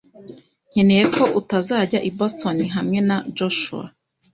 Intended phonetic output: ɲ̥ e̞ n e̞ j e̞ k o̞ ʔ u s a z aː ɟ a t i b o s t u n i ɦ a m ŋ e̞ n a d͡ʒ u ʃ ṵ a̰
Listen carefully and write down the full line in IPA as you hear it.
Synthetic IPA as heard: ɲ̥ e̞ n e̞ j e̞ k o̞ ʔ u t a z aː ɟ a ʔ i b o s t o n i ɦ a m ŋ e̞ n a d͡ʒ o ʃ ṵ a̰